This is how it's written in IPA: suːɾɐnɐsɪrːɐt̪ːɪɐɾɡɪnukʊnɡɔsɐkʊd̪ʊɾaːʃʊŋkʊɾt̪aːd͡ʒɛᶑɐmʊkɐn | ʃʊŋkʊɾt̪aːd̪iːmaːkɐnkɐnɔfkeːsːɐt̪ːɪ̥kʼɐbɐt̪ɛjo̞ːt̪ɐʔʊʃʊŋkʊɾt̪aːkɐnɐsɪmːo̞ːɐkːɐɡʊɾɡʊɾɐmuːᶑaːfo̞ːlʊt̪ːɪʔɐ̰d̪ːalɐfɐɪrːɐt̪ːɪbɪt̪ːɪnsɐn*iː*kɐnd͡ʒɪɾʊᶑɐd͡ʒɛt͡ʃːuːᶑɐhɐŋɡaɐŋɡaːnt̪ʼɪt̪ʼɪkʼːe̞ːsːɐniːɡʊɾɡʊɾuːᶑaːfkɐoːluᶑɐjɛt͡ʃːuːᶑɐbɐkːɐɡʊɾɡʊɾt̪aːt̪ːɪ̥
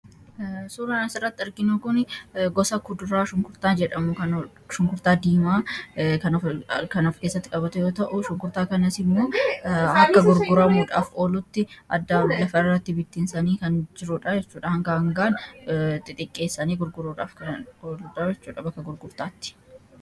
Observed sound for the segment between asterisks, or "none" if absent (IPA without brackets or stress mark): iː